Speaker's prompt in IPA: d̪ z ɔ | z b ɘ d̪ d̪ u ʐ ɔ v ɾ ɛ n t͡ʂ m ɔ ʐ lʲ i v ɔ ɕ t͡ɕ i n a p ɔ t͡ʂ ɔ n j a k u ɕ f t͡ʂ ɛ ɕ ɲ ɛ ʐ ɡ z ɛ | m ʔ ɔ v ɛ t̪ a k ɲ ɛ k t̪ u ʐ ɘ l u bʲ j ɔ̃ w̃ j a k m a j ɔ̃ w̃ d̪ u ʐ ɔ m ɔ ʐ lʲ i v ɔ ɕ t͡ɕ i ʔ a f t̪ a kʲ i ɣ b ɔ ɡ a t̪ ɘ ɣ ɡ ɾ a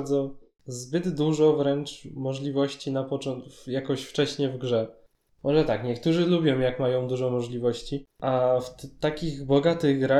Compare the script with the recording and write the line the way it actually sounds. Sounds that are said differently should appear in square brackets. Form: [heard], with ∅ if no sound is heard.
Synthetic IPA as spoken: d̪ z ɔ | z b ɘ d̪ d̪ u ʐ ɔ v ɾ ɛ n t͡ʂ m ɔ ʐ lʲ i v ɔ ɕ t͡ɕ i n a p ɔ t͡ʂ ɔ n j a k [ɔ] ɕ f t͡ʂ ɛ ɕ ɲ ɛ [v] ɡ [ʐ] ɛ | m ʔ ɔ [ʐ] ɛ t̪ a k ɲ ɛ k t̪ u ʐ ɘ l u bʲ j ɔ̃ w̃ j a k m a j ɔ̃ w̃ d̪ u ʐ ɔ m ɔ ʐ lʲ i v ɔ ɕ t͡ɕ i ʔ a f t̪ a kʲ i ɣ b ɔ ɡ a t̪ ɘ ɣ ɡ ɾ a